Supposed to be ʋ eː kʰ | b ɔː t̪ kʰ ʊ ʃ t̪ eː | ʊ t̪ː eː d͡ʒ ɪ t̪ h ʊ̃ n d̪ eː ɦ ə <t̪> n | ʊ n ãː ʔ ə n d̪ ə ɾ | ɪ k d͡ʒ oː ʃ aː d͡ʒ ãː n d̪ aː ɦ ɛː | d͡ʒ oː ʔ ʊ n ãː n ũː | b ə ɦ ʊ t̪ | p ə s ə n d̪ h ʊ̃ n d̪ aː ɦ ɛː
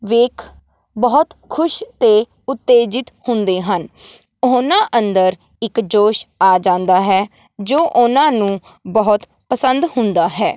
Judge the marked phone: incorrect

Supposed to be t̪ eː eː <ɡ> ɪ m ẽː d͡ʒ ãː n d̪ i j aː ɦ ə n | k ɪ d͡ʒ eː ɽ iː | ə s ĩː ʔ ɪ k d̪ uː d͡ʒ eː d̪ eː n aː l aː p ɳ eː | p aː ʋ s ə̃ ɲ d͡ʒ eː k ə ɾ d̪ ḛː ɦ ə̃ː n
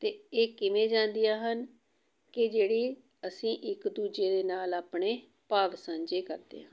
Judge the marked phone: incorrect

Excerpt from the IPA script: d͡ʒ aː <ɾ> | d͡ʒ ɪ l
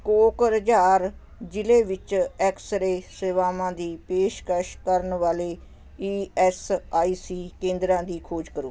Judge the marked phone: correct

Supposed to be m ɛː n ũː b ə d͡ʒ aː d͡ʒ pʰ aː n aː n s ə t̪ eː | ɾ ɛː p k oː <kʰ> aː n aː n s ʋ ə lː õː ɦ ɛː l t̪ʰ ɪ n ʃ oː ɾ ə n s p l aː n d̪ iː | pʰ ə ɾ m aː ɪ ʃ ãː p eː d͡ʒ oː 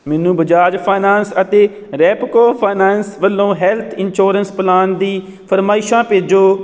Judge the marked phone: incorrect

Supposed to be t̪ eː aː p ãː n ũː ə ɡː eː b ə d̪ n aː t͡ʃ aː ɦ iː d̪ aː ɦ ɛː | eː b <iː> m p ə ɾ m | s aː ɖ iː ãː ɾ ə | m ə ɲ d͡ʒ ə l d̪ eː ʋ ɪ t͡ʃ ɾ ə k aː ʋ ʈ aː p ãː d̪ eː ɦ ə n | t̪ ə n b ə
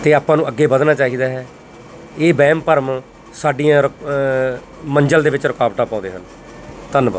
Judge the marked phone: incorrect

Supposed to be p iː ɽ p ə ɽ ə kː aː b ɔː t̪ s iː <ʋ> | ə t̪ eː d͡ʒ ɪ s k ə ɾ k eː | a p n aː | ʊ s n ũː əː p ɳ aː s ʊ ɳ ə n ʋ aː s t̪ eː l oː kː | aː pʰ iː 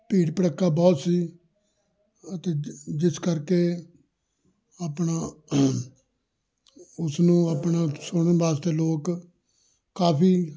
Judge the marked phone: incorrect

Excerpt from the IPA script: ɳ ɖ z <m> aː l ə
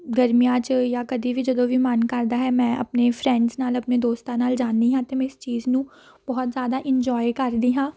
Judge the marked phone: incorrect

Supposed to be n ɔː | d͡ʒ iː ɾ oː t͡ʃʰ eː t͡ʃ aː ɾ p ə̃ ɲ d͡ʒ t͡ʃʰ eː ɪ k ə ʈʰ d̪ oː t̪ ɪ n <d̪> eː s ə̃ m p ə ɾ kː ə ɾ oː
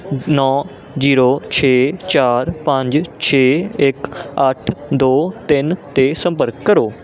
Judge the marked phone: incorrect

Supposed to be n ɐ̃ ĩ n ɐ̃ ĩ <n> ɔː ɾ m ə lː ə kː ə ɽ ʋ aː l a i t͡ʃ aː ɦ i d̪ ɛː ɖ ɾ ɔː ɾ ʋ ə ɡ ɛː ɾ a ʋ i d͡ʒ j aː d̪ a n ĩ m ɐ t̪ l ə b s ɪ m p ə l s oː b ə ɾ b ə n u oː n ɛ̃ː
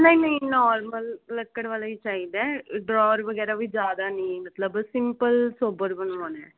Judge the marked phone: correct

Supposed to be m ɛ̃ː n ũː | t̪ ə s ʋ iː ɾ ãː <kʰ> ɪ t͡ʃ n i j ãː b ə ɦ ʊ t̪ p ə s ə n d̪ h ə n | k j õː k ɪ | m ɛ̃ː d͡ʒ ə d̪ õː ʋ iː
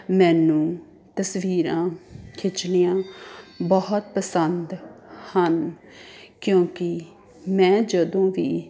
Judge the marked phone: correct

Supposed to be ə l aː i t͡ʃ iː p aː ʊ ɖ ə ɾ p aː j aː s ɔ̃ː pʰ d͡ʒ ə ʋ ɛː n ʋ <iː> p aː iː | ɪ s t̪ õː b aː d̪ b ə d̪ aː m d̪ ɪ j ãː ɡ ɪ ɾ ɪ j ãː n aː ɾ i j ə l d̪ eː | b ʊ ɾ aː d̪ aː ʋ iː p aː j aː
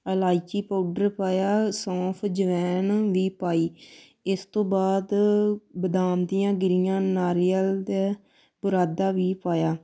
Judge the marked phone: correct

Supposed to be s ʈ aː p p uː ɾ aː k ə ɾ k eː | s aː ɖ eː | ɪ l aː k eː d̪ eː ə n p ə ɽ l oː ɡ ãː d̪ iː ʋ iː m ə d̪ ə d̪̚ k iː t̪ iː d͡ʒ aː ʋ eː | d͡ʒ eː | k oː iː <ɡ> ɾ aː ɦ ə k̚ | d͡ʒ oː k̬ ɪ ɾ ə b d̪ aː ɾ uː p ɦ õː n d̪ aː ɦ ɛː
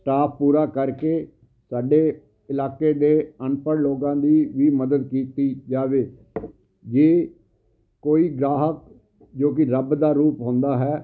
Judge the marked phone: correct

